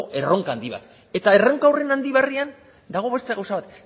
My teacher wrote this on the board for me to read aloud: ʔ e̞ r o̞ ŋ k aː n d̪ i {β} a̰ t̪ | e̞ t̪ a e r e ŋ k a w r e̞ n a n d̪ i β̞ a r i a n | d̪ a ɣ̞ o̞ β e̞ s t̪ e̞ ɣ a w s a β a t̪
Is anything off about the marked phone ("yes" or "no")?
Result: no